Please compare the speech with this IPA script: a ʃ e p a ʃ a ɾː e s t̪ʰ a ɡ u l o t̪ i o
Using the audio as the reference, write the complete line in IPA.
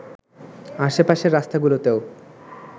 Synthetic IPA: a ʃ e p a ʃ e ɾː a s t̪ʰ a ɡ u l o t̪ e o